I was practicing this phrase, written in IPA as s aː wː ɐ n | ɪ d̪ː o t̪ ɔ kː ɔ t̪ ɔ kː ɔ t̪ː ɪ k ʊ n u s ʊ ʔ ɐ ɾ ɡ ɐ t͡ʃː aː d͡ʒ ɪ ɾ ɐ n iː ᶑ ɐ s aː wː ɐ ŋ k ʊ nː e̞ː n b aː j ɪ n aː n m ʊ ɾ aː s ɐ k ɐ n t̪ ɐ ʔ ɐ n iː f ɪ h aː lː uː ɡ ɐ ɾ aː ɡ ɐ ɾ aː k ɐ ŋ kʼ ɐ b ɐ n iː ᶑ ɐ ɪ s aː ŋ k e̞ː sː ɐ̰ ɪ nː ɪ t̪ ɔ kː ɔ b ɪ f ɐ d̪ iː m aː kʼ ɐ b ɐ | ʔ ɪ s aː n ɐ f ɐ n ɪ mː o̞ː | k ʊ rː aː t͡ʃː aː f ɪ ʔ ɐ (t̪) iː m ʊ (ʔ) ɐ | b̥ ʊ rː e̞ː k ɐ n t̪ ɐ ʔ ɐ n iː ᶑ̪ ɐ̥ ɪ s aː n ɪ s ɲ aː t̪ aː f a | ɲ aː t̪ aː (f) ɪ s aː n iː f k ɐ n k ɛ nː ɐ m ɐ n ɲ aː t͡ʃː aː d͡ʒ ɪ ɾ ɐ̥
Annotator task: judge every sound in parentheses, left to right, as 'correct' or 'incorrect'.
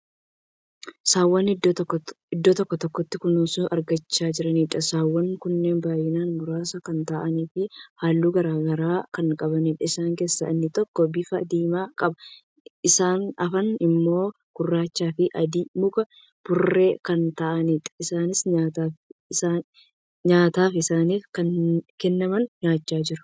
incorrect, incorrect, correct

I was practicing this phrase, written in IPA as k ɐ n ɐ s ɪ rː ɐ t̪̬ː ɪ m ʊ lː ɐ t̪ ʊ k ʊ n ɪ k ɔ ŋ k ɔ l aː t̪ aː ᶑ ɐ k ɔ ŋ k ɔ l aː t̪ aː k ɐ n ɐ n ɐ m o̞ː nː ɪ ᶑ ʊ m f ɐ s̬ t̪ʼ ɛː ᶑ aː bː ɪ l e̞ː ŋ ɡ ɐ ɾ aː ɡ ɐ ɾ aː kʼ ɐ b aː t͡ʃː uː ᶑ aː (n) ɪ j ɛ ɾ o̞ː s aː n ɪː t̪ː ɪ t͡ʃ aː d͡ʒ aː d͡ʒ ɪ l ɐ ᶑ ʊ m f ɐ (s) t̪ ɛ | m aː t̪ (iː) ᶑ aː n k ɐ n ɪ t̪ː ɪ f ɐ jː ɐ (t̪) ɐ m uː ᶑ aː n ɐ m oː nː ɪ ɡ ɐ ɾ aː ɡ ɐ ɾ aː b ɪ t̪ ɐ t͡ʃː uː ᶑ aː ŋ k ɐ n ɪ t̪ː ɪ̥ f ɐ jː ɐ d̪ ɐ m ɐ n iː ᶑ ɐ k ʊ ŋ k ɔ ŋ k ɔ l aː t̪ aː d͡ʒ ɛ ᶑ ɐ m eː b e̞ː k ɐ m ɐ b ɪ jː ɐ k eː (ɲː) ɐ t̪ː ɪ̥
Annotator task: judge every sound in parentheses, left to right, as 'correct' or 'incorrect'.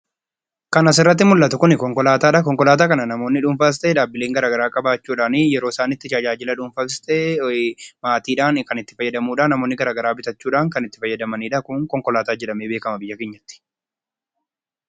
correct, correct, correct, incorrect, correct

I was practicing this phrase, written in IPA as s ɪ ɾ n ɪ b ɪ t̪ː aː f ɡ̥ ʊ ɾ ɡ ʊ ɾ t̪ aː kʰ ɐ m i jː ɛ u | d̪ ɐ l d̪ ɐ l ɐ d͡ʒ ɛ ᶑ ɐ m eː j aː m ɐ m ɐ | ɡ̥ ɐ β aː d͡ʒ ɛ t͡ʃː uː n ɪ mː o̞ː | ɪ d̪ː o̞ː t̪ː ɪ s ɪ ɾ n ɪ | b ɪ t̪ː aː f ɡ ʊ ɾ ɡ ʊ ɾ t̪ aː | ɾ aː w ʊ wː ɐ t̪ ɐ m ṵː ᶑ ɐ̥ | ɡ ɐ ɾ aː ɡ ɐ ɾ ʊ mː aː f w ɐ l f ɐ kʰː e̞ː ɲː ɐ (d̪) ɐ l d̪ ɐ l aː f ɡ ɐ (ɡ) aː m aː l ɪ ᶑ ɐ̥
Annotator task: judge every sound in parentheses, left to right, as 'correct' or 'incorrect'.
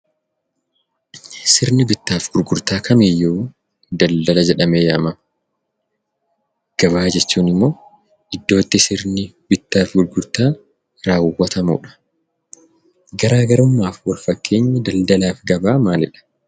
correct, incorrect

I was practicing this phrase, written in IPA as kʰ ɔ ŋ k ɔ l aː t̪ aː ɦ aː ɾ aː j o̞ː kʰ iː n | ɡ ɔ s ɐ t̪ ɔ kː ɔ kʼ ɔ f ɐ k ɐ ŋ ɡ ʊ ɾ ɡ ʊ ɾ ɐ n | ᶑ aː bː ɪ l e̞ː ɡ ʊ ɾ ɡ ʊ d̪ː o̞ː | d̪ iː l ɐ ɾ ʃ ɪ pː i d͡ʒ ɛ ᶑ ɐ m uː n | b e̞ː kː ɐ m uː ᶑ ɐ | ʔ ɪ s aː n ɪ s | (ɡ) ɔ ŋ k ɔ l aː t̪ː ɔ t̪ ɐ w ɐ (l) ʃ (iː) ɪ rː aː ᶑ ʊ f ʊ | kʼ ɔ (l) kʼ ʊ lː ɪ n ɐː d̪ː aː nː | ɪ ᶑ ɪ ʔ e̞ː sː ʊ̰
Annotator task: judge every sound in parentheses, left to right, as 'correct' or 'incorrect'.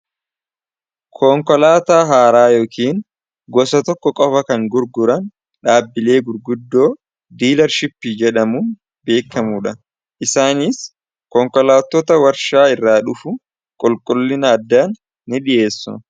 incorrect, incorrect, incorrect, correct

